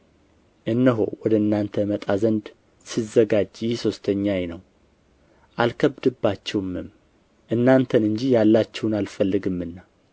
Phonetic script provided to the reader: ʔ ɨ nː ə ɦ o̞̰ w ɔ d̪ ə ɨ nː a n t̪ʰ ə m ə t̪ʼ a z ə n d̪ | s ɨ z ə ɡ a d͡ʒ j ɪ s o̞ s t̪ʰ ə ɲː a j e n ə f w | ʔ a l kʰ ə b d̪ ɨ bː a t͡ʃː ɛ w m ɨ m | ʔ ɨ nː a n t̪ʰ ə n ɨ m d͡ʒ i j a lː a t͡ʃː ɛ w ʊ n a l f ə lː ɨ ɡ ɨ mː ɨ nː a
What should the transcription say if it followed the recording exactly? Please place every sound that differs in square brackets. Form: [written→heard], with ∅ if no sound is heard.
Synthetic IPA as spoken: ʔ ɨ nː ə ɦ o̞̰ w ɔ d̪ ə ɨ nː a n t̪ʰ ə m ə t̪ʼ a z ə n d̪ | s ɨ z ə ɡ a d͡ʒ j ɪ s o̞ s t̪ʰ ə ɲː a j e n ə [f→∅] w | ʔ a l kʰ ə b d̪ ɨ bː a t͡ʃː ɛ w m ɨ m | ʔ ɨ nː a n t̪ʰ ə n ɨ [m→ɲ] d͡ʒ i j a lː a t͡ʃː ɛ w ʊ n a l f ə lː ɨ ɡ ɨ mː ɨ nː a